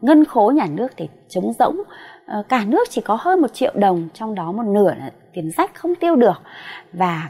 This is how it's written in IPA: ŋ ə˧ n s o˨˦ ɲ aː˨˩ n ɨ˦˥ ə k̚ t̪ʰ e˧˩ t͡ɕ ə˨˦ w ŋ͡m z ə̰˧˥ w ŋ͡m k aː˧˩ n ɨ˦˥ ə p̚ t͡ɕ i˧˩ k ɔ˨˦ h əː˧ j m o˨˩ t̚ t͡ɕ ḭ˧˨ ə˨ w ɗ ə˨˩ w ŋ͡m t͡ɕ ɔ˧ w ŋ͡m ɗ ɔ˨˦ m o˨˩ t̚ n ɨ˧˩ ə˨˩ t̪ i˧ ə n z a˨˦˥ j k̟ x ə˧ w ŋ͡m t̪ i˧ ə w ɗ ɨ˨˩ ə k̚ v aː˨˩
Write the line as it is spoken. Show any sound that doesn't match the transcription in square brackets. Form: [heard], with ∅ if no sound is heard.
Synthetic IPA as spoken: ŋ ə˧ n [x] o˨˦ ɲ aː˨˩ n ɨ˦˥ ə k̚ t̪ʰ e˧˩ t͡ɕ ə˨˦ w ŋ͡m z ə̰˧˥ w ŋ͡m k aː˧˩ n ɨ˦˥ ə [k̚] t͡ɕ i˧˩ k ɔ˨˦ h əː˧ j m o˨˩ t̚ t͡ɕ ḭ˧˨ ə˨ w ɗ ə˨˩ w ŋ͡m t͡ɕ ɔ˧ w ŋ͡m ɗ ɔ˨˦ m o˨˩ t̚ n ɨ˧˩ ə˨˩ t̪ [i˨˩] ə n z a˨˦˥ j k̟ x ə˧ w ŋ͡m t̪ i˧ ə w ɗ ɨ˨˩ ə k̚ v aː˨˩